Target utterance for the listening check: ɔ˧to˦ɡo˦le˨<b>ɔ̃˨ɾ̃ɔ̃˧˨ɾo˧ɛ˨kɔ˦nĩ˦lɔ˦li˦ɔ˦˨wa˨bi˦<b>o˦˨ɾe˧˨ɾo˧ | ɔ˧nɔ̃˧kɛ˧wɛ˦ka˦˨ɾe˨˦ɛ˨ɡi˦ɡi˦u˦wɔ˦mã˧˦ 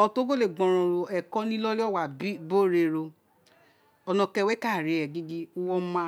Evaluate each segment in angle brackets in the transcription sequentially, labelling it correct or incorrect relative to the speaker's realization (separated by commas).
incorrect, correct